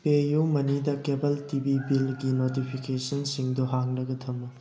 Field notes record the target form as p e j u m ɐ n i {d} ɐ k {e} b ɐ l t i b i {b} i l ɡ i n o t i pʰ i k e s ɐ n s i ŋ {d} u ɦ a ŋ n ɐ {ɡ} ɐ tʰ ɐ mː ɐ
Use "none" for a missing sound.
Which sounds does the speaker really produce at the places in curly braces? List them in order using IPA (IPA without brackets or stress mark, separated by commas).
d, e, b, d, ɡ